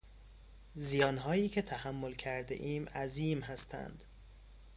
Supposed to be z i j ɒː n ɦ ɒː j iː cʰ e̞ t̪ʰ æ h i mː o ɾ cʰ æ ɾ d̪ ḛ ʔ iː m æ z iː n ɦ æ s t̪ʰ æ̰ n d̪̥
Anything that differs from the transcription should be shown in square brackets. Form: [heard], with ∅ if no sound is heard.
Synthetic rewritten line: z i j ɒː n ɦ ɒː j iː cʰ e̞ t̪ʰ æ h [æ] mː o [l] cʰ æ ɾ d̪ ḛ ʔ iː m æ z iː [m] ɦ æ s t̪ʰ æ̰ n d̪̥